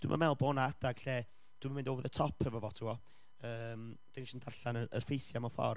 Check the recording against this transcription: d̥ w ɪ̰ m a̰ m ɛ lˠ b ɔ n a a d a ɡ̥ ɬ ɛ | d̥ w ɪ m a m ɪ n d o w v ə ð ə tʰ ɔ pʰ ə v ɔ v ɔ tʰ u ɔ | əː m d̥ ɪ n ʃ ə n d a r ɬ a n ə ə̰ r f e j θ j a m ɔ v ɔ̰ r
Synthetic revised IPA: d̥ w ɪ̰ m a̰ m ɛ lˠ b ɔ n a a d a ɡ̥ ɬ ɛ | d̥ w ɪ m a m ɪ n d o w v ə ð ə tʰ ɔ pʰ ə v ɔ v ɔ tʰ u ɔ | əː m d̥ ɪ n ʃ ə n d a r ɬ a n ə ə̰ r f e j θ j a m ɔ f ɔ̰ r